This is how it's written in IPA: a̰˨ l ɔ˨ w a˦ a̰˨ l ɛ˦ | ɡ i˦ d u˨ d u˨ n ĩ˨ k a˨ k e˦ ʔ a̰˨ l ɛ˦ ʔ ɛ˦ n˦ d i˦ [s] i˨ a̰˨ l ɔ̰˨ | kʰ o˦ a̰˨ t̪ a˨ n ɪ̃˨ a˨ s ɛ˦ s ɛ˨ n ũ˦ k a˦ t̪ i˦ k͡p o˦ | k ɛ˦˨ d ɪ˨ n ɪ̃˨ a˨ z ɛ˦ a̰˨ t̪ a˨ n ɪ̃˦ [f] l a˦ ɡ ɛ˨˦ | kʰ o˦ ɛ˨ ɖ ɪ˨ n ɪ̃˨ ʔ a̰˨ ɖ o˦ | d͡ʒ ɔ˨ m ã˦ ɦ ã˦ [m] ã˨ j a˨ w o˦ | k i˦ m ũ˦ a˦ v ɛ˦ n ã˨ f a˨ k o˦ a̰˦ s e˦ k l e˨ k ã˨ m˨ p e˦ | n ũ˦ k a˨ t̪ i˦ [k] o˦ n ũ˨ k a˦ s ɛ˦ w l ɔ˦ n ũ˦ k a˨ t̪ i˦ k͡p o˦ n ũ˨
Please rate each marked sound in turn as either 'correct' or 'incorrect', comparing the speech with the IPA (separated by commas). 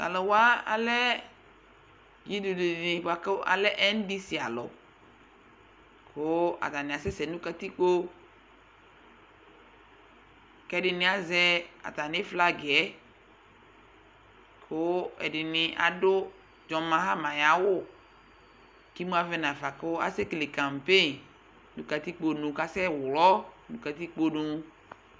correct, correct, correct, incorrect